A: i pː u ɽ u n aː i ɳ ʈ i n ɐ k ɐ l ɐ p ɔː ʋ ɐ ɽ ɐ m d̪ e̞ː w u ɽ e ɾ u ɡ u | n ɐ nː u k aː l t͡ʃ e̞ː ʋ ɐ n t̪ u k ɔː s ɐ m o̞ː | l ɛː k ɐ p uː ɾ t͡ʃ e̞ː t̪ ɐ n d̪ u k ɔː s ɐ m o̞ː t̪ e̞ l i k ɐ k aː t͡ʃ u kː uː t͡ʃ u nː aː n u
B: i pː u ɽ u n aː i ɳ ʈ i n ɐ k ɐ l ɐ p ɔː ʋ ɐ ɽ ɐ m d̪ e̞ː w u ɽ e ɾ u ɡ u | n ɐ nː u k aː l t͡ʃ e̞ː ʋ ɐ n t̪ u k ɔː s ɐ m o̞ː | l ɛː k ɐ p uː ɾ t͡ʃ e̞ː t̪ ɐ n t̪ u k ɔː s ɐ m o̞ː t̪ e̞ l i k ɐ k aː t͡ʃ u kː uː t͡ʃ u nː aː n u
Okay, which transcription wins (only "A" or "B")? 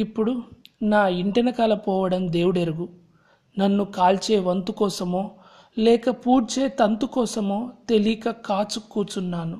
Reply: B